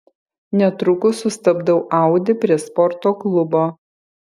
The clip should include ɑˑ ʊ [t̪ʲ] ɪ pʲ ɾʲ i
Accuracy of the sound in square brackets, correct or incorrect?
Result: incorrect